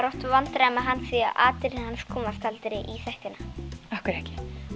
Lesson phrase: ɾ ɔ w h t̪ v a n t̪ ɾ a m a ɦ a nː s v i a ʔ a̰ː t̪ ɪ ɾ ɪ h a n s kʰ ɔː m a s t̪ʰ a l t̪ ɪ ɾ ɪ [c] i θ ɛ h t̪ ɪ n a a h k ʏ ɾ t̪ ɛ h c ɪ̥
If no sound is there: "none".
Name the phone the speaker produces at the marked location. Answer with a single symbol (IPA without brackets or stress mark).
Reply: ʔ